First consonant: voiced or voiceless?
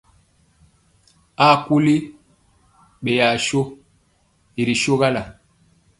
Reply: voiceless